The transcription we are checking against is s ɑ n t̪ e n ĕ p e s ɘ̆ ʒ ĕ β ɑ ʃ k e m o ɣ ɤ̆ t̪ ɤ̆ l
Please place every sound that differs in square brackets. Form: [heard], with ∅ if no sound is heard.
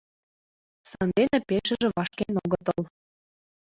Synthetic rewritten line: s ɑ n [d̪] e n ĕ p e [ʃ] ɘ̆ ʒ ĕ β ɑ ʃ k e [n] o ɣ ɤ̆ t̪ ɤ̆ l